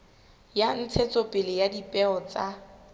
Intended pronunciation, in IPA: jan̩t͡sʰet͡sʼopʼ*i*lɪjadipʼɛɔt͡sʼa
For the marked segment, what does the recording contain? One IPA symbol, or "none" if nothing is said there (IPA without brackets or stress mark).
ɪ